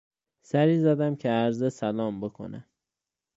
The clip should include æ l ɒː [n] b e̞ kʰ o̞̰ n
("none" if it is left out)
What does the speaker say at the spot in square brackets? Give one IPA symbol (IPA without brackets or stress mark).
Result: m